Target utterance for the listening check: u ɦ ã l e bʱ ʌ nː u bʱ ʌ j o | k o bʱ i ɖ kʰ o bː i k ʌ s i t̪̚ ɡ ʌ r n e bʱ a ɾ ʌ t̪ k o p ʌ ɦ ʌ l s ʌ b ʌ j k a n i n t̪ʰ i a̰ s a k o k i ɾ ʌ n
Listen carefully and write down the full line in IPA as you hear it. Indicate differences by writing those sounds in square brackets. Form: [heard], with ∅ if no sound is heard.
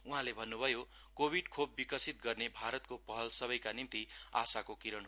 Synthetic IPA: u ɦ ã l e bʱ ʌ nː u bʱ ʌ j o | k o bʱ i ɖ kʰ o bː i k ʌ s i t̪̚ ɡ ʌ r n e bʱ a ɾ ʌ t̪ k o p ʌ ɦ ʌ l s ʌ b ʌ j k a n i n [t̪] i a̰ s a k o k i ɾ ʌ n